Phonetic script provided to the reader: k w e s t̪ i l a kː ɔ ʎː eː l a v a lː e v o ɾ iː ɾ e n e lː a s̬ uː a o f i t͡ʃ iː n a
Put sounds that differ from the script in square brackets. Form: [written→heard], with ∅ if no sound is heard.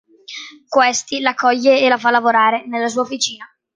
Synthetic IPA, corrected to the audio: k w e s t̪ i l a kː ɔ ʎː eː l a [v→f] a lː [e→a] v o ɾ [iː→aː] ɾ e n e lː a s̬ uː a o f i t͡ʃ iː n a